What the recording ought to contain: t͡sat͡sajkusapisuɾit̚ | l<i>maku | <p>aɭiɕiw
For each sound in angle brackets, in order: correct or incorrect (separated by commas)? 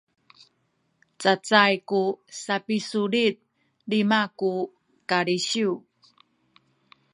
correct, incorrect